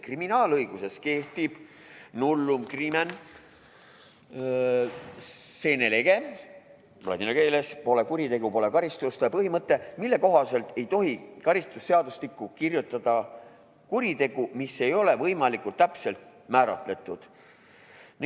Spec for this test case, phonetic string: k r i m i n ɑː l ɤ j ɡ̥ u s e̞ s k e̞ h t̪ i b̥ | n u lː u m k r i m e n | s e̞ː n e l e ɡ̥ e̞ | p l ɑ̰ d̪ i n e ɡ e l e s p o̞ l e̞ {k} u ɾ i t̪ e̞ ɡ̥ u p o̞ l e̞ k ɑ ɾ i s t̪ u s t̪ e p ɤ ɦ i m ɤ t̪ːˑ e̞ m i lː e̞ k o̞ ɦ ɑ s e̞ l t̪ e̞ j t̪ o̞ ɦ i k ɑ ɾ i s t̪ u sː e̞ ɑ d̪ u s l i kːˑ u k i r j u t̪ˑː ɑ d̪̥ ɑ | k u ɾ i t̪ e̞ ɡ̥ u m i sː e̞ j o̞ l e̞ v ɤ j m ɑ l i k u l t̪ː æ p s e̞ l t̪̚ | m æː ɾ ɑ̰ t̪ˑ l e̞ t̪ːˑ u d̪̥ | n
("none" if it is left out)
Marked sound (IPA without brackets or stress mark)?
k